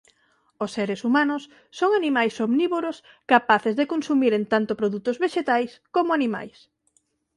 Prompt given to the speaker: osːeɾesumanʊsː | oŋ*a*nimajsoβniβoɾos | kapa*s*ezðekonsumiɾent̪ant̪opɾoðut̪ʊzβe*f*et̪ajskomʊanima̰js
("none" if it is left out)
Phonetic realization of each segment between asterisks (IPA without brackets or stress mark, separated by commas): a, θ, ʃ